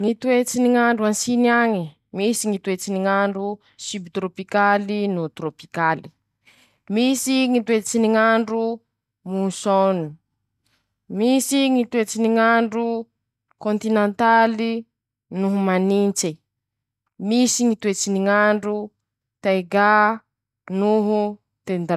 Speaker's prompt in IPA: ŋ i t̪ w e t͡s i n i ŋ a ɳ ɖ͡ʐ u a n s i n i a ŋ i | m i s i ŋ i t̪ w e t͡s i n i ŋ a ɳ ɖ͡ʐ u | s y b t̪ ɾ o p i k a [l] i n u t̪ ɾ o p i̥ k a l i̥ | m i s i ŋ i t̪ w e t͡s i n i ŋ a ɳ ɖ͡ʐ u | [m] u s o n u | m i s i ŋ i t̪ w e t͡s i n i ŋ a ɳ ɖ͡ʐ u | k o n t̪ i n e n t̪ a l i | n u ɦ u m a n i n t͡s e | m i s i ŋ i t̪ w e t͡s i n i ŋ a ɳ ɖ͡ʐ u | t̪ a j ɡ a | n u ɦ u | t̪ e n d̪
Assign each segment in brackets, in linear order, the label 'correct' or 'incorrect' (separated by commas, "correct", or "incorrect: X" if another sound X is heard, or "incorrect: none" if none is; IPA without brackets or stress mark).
correct, correct